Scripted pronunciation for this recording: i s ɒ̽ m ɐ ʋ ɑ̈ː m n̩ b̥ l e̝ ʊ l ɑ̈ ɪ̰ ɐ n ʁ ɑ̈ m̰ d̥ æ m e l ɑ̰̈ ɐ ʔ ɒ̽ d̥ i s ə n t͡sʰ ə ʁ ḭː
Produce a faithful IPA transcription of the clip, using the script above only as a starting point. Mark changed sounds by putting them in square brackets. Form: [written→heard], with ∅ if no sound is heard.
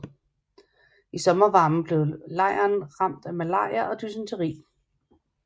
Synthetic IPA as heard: i s ɒ̽ m ɐ ʋ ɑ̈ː m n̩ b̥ l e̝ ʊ l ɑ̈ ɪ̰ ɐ n ʁ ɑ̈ m̰ d̥ æ m [e→æ] l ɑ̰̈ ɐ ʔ ɒ̽ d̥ [i→y] s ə n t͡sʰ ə ʁ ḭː